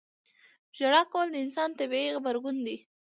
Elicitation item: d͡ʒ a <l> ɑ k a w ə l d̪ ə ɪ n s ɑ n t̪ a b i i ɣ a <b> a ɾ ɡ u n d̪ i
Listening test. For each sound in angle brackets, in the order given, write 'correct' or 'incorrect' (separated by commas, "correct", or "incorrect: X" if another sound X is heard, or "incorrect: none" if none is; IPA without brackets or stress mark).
incorrect: ɽ, correct